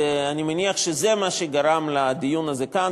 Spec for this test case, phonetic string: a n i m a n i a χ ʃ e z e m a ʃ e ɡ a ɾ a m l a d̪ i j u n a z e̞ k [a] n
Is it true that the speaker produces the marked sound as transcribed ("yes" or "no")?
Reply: yes